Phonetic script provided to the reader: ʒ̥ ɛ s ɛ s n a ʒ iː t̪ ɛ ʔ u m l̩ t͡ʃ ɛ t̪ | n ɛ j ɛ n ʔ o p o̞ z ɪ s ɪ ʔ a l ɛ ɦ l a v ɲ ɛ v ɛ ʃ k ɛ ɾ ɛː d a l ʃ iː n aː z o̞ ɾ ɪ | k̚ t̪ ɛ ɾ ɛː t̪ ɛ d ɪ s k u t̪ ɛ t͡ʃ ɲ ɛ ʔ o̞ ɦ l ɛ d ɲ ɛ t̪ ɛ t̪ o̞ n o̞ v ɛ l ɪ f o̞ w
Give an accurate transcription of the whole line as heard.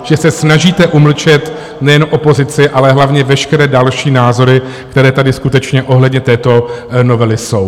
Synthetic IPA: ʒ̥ ɛ s ɛ s n a ʒ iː t̪ ɛ ʔ u m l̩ t͡ʃ ɛ t̪ | n ɛ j ɛ n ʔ o p o̞ z ɪ t͡s ɪ ʔ a l ɛ ɦ l a v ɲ ɛ v ɛ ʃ k ɛ ɾ ɛː d a l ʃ iː n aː z o̞ ɾ ɪ | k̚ t̪ ɛ ɾ ɛː t̪ a d ɪ s k u t̪ ɛ t͡ʃ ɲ ɛ ʔ o̞ ɦ l ɛ d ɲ ɛ t̪ ɛː t̪ o̞ n o̞ v ɛ l ɪ s o̞ w